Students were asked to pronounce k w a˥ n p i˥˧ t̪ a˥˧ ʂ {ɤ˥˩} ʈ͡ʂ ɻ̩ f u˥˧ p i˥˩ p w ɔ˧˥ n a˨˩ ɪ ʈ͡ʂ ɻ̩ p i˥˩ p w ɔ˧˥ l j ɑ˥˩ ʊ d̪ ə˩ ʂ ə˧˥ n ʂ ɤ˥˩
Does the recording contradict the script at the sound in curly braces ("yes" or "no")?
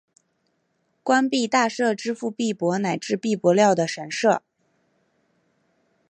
no